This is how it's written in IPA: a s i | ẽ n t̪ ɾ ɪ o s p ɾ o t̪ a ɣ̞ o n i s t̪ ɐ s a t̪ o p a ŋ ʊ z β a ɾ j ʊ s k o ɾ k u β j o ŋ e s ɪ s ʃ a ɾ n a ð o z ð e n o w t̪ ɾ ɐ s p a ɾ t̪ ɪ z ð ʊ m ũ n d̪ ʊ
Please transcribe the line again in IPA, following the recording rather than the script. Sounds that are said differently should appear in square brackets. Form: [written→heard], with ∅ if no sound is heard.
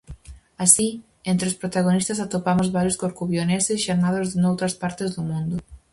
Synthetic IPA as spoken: a s i | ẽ n t̪ ɾ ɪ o s p ɾ o t̪ a ɣ̞ o n i s t̪ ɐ s a t̪ o p a [ŋ→m] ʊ z β a ɾ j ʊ s k o ɾ k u β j o [ŋ→n] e s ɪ s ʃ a ɾ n a ð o z ð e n o w t̪ ɾ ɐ s p a ɾ t̪ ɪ z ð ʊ m ũ n d̪ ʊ